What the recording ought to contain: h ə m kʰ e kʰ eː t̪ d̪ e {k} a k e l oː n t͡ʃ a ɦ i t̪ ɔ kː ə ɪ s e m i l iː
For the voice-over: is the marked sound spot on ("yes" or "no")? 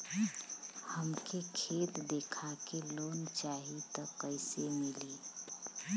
no